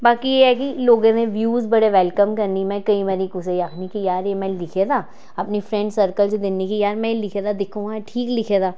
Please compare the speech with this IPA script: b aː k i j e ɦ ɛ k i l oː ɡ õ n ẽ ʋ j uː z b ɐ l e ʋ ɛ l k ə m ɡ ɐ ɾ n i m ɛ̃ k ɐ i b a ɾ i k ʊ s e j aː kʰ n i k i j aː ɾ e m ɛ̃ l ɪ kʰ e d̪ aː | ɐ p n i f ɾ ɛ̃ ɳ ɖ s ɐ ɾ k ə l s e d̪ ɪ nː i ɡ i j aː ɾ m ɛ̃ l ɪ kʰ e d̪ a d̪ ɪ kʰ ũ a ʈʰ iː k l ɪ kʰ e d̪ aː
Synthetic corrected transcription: b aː k i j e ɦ ɛ k i l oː ɡ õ n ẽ ʋ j uː z b ɐ ɽ e ʋ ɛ l k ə m k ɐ ɾ n i m ɛ̃ k ɐ i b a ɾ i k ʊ s e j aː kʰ n i k i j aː ɾ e m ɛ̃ l ɪ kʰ e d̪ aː | ɐ p n i f ɾ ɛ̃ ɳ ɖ s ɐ ɾ k ə l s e d̪ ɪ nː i k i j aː ɾ m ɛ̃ l ɪ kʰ e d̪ a d̪ ɪ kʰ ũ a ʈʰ iː k l ɪ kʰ e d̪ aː